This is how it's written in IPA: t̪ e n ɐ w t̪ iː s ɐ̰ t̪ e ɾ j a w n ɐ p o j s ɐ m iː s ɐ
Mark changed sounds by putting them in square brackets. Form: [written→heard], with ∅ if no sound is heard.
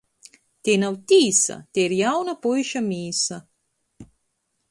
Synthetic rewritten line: t̪ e n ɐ w t̪ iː s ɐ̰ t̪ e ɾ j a w n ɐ p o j [s→ʃ] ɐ m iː s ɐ